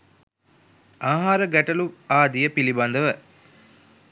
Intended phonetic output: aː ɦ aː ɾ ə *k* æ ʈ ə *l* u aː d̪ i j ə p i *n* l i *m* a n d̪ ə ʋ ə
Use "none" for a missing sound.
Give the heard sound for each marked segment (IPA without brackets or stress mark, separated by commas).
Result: ɡ, l, none, b